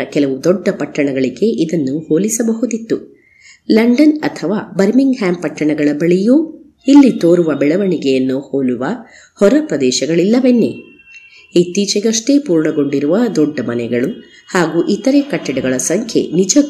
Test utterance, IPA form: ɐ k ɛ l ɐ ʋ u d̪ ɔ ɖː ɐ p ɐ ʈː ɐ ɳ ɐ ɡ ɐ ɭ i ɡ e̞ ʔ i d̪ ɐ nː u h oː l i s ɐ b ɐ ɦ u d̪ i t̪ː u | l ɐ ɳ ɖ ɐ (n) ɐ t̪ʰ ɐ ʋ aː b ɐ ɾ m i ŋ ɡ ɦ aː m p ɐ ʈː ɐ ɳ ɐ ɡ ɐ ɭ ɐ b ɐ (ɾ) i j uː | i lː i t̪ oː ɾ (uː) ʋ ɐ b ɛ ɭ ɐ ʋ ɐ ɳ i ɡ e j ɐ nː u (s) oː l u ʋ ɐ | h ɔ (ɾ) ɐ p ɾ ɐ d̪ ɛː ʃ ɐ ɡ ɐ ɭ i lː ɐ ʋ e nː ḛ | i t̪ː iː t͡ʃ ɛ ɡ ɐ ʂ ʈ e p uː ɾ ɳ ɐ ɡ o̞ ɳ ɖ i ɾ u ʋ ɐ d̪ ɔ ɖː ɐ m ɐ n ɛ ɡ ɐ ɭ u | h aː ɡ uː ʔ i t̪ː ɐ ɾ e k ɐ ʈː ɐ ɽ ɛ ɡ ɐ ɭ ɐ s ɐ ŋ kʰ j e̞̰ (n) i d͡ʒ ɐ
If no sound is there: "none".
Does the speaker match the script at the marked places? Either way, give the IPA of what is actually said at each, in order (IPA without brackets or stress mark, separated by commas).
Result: n, ɭ, u, h, ɾ, n